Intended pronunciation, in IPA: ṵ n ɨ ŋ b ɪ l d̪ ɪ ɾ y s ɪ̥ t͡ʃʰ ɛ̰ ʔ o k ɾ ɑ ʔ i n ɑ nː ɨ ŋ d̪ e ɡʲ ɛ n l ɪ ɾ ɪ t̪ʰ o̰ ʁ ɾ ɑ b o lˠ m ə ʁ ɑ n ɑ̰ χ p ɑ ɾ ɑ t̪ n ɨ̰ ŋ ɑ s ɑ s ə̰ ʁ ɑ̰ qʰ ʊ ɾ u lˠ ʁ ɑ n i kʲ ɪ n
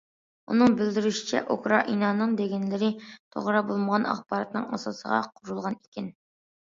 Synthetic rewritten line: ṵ n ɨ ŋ b ɪ l d̪ ɪ ɾ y ʃ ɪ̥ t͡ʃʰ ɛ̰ ʔ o k ɾ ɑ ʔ i n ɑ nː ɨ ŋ d̪ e ɡʲ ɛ n l ɪ ɾ ɪ t̪ʰ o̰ ʁ ɾ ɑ b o lˠ m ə ʁ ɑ n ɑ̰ χ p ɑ ɾ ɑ t̪ n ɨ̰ ŋ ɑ s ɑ s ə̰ ʁ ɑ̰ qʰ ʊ ɾ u lˠ ʁ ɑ n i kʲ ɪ n